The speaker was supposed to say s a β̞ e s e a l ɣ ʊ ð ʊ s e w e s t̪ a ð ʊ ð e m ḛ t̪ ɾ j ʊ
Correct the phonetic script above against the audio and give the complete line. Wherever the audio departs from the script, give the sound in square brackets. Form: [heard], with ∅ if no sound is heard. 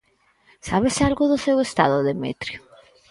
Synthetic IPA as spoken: s a β̞ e s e a l ɣ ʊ ð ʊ s e w e s t̪ a ð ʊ ð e m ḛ t̪ ɾ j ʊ